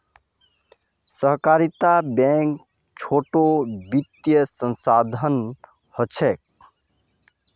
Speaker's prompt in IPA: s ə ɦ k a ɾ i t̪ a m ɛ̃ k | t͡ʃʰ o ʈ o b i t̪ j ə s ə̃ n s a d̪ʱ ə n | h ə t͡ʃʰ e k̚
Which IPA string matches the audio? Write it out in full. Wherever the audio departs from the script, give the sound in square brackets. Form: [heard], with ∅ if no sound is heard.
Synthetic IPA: s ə ɦ k a ɾ i t̪ a [b] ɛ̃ k | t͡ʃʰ o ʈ o b i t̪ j ə s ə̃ n s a d̪ʱ ə n | h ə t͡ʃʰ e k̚